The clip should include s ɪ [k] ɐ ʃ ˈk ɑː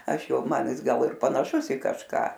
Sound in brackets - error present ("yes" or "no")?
no